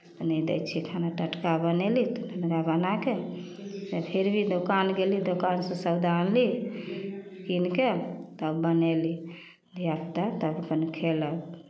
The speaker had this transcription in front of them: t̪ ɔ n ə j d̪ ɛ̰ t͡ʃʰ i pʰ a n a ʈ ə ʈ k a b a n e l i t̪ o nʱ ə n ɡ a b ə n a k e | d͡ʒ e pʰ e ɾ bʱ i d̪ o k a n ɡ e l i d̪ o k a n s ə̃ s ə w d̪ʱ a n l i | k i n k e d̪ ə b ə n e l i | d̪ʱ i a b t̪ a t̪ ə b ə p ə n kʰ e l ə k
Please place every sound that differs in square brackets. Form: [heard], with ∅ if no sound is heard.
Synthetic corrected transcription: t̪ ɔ n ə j d̪ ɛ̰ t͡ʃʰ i [kʰ] a n a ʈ ə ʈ k a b [ə] n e l i t̪ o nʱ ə n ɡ a b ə n a k e | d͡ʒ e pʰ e ɾ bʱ i d̪ o k a n ɡ e l i d̪ o k a n s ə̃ s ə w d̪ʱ a n l i | k i n k e [t̪] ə b ə n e l i | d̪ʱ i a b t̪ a t̪ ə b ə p ə n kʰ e l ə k